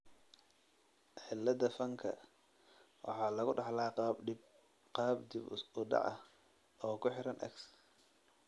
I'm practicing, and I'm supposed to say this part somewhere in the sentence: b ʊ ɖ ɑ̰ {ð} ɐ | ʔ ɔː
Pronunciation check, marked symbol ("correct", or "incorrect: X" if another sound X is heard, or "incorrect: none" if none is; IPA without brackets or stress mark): incorrect: ʕ